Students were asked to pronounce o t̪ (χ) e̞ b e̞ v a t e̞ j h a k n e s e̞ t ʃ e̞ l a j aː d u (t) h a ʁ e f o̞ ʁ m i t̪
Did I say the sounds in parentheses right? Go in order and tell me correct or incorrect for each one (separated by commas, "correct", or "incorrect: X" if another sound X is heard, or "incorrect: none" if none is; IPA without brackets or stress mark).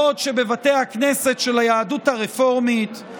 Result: incorrect: ʃ, correct